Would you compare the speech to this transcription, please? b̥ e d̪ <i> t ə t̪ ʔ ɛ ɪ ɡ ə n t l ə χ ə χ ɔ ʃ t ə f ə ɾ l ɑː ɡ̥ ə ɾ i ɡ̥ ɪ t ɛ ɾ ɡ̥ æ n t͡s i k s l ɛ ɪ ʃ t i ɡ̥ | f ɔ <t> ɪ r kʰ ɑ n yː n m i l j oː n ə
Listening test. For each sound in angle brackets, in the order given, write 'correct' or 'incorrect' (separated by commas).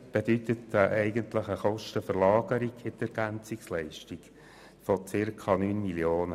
incorrect, incorrect